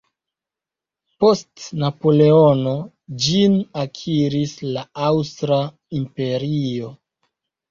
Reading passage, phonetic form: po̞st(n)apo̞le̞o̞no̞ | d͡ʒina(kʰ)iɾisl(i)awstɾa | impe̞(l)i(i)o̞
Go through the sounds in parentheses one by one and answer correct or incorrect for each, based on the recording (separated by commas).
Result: correct, correct, incorrect, incorrect, correct